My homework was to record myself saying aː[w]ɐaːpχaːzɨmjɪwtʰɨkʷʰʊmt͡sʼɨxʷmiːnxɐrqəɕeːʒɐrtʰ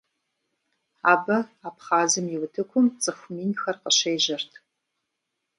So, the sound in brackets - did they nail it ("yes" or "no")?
no